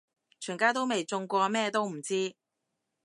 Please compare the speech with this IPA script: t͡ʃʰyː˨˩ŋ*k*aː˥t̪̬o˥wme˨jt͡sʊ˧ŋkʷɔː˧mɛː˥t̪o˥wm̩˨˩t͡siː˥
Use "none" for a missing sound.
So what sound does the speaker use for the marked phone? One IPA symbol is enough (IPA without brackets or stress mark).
k